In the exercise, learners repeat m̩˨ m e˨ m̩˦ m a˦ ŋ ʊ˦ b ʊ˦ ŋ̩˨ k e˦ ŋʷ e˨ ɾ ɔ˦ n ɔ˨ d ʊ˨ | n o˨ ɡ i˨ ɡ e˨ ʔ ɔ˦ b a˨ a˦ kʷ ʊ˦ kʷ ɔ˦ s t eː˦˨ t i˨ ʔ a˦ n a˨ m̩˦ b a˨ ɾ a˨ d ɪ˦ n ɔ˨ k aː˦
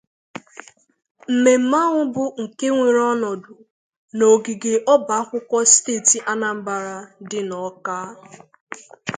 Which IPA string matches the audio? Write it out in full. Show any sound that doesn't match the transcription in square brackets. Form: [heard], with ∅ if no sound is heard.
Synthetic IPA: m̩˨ m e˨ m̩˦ m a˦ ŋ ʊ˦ b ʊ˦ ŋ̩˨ k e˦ ŋʷ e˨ ɾ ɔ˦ n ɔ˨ d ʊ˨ | n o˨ ɡ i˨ ɡ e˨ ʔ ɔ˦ b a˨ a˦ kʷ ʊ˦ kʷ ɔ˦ s t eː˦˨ t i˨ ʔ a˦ n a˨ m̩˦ b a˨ ɾ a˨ d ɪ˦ n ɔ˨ k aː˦